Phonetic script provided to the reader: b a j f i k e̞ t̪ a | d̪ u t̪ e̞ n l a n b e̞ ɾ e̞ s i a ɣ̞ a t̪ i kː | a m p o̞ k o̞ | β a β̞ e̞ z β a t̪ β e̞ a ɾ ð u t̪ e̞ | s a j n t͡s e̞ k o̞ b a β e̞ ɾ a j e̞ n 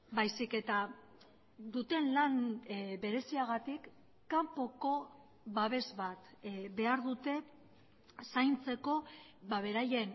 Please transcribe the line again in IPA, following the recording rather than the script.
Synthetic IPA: b a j s i k e̞ t̪ a | d̪ u t̪ e̞ n l a n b e̞ ɾ e̞ s i a ɣ̞ a t̪ i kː | a m p o̞ k o̞ | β a β̞ e̞ z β a t̪ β e̞ a ɾ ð u t̪ e̞ | s a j n t͡s e̞ k o̞ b a β e̞ ɾ a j e̞ n